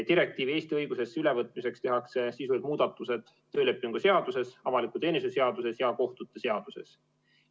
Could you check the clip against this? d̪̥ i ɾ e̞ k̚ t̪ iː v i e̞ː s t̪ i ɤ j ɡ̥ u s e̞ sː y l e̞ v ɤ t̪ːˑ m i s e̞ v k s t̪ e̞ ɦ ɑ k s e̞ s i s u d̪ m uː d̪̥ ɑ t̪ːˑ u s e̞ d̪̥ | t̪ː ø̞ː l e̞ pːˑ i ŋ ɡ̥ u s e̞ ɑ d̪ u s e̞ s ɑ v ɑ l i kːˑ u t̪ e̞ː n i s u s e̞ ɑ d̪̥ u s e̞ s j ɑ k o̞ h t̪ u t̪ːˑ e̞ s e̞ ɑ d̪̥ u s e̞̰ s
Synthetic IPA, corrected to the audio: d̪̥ i ɾ e̞ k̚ t̪ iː v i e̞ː s t̪ i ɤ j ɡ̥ u s e̞ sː y l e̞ v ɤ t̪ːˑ m i s e̞ k s t̪ e̞ ɦ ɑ k s e̞ s i s u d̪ m uː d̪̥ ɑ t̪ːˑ u s e̞ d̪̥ | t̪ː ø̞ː l e̞ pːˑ i ŋ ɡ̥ u s e̞ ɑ d̪ u s e̞ s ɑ v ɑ l i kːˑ u t̪ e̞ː n i s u s e̞ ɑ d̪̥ u s e̞ s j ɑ k o̞ h t̪ u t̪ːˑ e̞ s e̞ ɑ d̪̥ u s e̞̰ s